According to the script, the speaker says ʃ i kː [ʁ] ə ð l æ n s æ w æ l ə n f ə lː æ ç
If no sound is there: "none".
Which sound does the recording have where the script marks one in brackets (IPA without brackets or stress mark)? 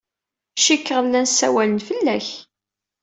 ʁ